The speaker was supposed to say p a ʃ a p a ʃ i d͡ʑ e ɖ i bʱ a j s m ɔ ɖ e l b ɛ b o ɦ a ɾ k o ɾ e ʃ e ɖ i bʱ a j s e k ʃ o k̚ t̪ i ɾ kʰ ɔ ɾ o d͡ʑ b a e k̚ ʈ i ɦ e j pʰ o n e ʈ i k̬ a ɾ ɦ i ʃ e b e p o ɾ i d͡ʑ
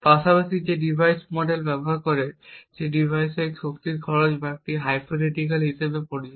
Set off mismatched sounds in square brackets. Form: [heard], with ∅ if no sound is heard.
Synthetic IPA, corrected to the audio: p a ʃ a p a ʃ i d͡ʑ e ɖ i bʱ a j s m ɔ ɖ e l b ɛ b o ɦ a ɾ k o ɾ e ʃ e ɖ i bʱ a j s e k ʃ o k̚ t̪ i ɾ kʰ ɔ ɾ o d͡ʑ b a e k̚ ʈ i ɦ [a] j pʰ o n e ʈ i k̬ a [l] ɦ i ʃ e b e p o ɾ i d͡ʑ